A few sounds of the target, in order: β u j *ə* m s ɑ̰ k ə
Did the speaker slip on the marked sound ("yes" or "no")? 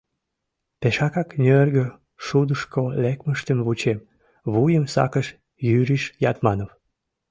no